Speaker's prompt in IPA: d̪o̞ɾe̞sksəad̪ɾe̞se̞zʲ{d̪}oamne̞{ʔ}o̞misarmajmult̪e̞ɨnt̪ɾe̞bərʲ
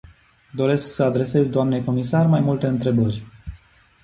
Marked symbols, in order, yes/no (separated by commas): yes, no